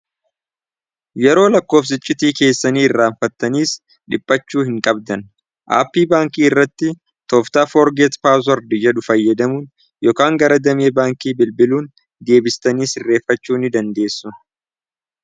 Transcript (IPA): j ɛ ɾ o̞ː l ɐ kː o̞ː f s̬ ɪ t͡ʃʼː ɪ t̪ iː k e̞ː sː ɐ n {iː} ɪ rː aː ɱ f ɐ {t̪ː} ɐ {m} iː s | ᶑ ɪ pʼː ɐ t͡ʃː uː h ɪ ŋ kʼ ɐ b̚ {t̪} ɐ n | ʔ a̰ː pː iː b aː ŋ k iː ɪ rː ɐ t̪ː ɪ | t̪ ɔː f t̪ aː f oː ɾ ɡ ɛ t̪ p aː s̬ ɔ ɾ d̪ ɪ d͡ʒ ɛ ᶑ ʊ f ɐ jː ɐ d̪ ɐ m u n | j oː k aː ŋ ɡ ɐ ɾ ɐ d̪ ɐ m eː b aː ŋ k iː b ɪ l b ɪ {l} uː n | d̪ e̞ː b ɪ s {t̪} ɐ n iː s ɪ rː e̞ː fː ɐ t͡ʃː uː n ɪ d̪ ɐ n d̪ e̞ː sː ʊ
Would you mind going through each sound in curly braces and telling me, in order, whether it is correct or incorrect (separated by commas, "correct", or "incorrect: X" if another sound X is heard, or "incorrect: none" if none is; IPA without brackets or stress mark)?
correct, correct, incorrect: n, incorrect: d̪, correct, correct